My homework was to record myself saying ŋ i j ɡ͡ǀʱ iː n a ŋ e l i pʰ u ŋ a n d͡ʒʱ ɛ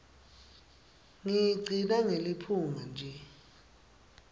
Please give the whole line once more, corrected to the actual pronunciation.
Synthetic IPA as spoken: ŋ i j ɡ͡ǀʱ i n a ŋ e l i pʰ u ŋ a n d͡ʒʱ ɛ